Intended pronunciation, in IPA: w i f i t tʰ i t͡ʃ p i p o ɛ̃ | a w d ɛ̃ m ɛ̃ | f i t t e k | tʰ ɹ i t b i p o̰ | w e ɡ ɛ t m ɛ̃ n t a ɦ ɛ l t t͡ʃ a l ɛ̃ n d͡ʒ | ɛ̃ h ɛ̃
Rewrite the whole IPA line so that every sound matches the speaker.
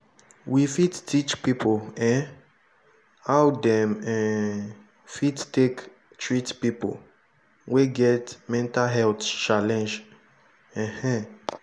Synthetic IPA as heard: w i f i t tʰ i t͡ʃ p i p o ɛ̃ | a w d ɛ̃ m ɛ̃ | f i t t e k | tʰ ɹ i t p i p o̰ | w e ɡ ɛ t m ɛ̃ n t a ɦ ɛ l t t͡ʃ a l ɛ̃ n d͡ʒ | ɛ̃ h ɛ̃